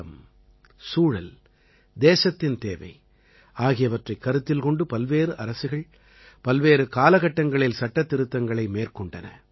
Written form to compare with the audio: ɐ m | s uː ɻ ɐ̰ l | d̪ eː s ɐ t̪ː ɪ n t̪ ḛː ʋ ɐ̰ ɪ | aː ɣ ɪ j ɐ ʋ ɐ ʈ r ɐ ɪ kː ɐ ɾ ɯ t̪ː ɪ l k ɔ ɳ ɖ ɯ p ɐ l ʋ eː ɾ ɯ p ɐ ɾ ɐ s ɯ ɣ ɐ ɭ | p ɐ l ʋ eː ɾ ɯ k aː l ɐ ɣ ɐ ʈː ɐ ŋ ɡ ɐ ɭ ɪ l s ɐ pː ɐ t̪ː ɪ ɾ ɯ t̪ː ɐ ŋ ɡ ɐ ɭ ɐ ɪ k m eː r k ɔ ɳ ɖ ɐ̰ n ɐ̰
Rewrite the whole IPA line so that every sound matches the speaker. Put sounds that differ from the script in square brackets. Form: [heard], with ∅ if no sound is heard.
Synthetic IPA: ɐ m | s uː ɻ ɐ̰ l | d̪ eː s ɐ t̪ː ɪ n t̪ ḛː ʋ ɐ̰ ɪ | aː ɣ ɪ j ɐ ʋ ɐ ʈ r ɐ ɪ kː ɐ ɾ ɯ t̪ː ɪ l k ɔ ɳ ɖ ɯ p ɐ l ʋ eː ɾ ɯ [ʔ] ɐ ɾ ɐ s ɯ ɣ ɐ ɭ | p ɐ l ʋ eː ɾ ɯ k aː l ɐ ɣ ɐ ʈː ɐ ŋ ɡ ɐ ɭ ɪ l s ɐ [ʈː] ɐ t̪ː ɪ ɾ ɯ t̪ː ɐ ŋ ɡ ɐ ɭ ɐ ɪ [∅] m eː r k ɔ ɳ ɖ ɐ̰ n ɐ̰